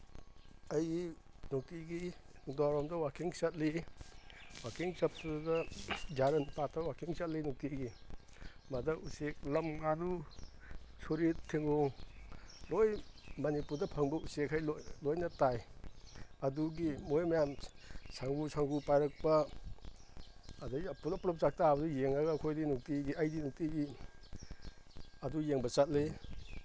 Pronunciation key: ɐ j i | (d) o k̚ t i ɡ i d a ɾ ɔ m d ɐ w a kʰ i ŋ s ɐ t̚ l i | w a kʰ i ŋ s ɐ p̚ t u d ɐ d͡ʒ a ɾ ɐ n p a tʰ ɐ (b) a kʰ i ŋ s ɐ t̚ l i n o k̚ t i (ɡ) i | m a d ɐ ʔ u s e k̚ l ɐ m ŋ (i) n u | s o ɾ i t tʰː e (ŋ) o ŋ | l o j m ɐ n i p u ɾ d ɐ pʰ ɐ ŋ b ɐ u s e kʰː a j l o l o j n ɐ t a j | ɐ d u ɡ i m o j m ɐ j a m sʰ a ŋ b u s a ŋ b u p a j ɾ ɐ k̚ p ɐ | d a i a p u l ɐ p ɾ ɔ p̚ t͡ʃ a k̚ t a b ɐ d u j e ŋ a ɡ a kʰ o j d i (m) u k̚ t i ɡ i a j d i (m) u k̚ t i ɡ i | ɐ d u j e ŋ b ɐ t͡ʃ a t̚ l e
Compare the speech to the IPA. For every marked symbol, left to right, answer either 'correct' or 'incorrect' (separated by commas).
incorrect, incorrect, correct, incorrect, correct, incorrect, incorrect